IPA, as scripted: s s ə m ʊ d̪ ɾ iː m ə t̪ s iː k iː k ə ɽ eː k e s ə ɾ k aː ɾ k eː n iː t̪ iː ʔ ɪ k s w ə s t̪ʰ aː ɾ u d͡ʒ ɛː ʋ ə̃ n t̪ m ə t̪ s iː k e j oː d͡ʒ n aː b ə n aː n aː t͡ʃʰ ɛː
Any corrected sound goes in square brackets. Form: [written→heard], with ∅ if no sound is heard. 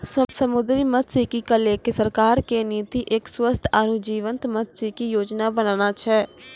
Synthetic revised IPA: s s ə m ʊ d̪ ɾ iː m ə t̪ s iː k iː k ə [ɽ→l] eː k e s ə ɾ k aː ɾ k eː n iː t̪ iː ʔ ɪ k s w ə s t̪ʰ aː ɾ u d͡ʒ [ɛː→iː] ʋ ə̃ n t̪ m ə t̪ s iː k [e→i] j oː d͡ʒ n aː b ə n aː n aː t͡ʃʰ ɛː